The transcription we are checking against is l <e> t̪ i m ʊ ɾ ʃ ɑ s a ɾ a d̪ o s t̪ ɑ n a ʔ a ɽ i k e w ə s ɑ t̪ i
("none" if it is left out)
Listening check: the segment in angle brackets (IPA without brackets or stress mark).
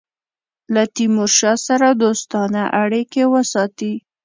a